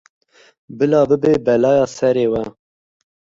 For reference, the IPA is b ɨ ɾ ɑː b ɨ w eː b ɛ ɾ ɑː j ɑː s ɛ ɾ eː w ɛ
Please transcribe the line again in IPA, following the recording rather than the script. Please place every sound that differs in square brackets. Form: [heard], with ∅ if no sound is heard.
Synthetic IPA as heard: b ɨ [l] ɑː b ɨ [b] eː b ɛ [l] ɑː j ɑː s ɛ ɾ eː w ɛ